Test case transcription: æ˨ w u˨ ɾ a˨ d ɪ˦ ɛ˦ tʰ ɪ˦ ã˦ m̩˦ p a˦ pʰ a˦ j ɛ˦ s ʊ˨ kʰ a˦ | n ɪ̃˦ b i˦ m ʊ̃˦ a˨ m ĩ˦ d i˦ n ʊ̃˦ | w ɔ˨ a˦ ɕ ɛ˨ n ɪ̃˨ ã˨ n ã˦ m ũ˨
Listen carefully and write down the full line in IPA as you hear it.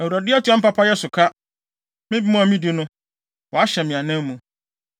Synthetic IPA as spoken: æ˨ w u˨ ɾ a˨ d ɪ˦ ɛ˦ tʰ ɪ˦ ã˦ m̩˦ p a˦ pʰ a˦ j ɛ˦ s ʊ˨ kʰ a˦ | m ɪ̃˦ b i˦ m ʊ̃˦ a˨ m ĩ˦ d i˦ n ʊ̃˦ | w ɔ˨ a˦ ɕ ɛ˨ m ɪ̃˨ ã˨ n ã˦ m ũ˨